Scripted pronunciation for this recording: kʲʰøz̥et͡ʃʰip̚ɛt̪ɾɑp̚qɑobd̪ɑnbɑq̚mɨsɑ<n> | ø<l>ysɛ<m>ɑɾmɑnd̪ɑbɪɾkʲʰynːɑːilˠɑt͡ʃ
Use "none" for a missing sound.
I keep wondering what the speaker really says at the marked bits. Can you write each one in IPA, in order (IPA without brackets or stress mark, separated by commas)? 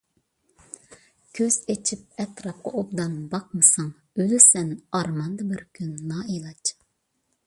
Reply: ŋ, l, n